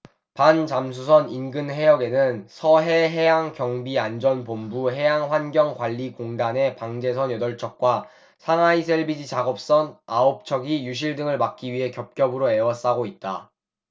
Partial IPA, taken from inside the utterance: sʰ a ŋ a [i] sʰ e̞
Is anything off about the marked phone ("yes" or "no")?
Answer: no